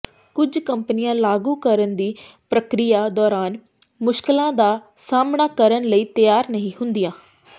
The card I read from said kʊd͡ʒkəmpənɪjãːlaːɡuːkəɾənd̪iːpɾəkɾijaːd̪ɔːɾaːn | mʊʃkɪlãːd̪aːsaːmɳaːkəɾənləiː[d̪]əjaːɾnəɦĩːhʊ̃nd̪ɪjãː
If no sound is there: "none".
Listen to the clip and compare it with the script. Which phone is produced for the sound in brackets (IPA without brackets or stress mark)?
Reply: t̪